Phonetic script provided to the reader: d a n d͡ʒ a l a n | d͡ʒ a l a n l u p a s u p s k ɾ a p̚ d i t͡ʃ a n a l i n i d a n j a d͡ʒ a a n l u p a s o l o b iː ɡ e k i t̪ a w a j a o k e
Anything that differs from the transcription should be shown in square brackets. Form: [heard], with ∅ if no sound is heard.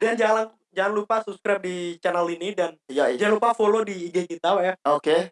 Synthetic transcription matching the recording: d a n d͡ʒ a l a n | d͡ʒ a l a n l u p a s u p s k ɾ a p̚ d i t͡ʃ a n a l i n i d a n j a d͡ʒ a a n l u p a [f] o l o [d] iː ɡ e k i t̪ a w a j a o k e

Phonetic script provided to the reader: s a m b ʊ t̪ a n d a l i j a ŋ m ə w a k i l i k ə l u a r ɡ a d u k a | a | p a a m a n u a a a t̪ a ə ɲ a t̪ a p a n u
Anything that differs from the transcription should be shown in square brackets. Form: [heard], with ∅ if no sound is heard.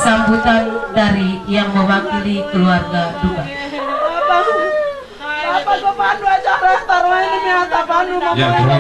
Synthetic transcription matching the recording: s a m b [u] t̪ a n d a [ɾ] i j a ŋ m ə w a k i l i k ə l u a r ɡ a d u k a | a | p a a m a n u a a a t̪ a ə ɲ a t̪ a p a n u

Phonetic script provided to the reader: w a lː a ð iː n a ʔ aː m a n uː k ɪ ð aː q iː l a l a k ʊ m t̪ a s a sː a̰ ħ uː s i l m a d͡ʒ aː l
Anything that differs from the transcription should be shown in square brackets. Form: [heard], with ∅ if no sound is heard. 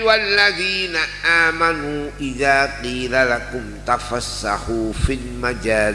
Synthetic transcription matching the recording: w a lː a ð iː n a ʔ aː m a n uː [ʔ] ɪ ð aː q iː l a l a k ʊ m t̪ a [f] a sː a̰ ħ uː [f] i l m a d͡ʒ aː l

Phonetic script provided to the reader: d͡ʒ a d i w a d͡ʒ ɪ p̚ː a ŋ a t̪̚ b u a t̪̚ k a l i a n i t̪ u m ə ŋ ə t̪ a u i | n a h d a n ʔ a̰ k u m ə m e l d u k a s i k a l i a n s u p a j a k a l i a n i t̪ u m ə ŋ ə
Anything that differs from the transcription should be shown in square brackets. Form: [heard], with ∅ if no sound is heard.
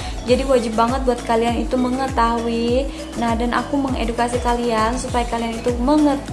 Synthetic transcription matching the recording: d͡ʒ a d i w a d͡ʒ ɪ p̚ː a ŋ [ə] t̪̚ b u a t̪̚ k a l i a n i t̪ u m ə ŋ ə t̪ a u i | n a h d a n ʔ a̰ k u m ə [ŋ] e [∅] d u k a s i k a l i a n s u p a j a k a l i a n i t̪ u m ə ŋ ə

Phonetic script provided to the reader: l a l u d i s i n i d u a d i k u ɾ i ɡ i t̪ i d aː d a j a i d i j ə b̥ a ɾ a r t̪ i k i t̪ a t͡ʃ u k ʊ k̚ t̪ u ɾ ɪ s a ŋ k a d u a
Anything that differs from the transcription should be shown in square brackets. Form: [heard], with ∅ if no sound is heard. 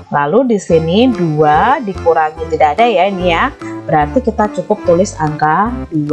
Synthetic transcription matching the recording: l a l u d i s i n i d u a d i k u ɾ [a] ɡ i t̪ i d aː d a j a i [n] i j [a] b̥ [ə] ɾ a r t̪ i k i t̪ a t͡ʃ u k ʊ [p̚] t̪ u [l] ɪ s a ŋ k a d u a

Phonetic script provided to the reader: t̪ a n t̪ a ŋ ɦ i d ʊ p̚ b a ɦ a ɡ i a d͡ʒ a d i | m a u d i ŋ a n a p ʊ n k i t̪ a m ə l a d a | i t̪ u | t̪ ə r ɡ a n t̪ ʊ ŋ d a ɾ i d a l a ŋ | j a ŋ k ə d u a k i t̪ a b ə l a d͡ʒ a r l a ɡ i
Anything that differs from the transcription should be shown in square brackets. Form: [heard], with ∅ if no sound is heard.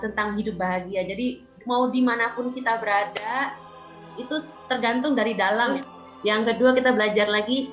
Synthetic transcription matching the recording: t̪ [ə] n t̪ a ŋ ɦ i d ʊ p̚ b a ɦ a ɡ i a d͡ʒ a d i | m a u d i [m] a n a p ʊ n k i t̪ a [b] ə [ɾ] a d a | i t̪ u | t̪ ə r ɡ a n t̪ ʊ ŋ d a ɾ i d a l a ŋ | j a ŋ k ə d u a k i t̪ a b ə l a d͡ʒ a r l a ɡ i

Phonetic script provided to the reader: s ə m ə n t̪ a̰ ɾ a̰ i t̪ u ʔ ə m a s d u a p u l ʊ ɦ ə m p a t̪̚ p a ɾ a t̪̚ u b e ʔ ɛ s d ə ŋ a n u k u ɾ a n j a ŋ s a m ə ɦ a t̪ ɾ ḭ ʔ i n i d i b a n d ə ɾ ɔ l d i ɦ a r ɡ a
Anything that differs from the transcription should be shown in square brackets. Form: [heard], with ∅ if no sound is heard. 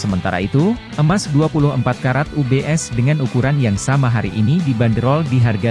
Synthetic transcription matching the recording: s ə m ə n t̪ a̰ ɾ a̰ i t̪ u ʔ ə m a s d u a p u l ʊ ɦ ə m p a t̪̚ [k] a ɾ a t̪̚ u b e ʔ ɛ s d ə ŋ a n u k u ɾ a n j a ŋ s a m [a] ɦ a [∅] ɾ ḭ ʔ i n i d i b a n d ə ɾ ɔ l d i ɦ a r ɡ a

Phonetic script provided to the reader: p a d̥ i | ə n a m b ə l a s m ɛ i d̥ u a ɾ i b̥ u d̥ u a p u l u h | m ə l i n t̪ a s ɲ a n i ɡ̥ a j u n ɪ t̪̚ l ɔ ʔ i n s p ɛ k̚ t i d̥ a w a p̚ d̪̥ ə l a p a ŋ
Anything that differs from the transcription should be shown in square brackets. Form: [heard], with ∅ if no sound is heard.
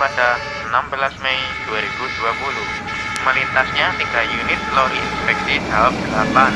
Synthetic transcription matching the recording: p a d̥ [a] | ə n a m b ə l a s m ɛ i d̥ u a ɾ i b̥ u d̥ u a p u l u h | m ə l i n t̪ a s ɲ a n i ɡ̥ a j u n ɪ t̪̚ l ɔ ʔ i n s p ɛ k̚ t i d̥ a w a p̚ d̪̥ ə l a p a [n]

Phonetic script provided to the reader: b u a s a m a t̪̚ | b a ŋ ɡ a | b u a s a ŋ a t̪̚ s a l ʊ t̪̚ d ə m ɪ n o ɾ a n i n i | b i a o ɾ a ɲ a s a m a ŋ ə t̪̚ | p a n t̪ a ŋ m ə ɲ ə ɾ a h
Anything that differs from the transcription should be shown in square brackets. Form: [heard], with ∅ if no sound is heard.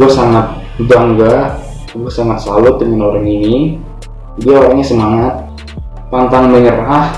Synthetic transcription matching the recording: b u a s a [ŋ] a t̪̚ | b a ŋ ɡ a | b u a s a ŋ a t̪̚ s a l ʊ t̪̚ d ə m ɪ n o ɾ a [ŋ] i n i | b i a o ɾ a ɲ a s [ə] m a ŋ [a] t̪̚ | p a n t̪ a ŋ m ə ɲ ə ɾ a h

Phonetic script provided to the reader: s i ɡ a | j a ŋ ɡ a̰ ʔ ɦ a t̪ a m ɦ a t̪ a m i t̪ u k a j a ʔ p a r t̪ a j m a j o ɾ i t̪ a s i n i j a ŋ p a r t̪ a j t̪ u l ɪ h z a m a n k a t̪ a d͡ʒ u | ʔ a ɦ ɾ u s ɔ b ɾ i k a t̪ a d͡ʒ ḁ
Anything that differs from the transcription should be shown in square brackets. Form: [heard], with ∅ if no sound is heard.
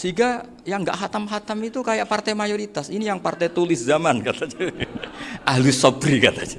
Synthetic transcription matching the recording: s i ɡ a | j a ŋ ɡ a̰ ʔ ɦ a t̪ a m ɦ a t̪ a m i t̪ u k a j a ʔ p a r t̪ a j m a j o ɾ i t̪ a s i n i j a ŋ p a r t̪ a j t̪ u l ɪ [s] z a m a n k a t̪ a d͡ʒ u | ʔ a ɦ [l] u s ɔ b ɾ i k a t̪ a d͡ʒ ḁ

